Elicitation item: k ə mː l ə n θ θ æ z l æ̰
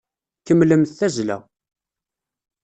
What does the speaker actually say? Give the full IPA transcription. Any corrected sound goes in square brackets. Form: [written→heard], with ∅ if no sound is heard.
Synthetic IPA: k ə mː l ə [n→m] θ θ æ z l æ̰